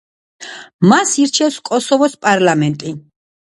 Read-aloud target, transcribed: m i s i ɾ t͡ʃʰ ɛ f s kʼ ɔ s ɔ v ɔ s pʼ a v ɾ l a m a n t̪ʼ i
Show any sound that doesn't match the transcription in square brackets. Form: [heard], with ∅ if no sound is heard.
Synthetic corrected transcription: m [a] s i ɾ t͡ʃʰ ɛ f s kʼ ɔ s ɔ v ɔ s pʼ a [∅] ɾ l a m [ɛ] n t̪ʼ i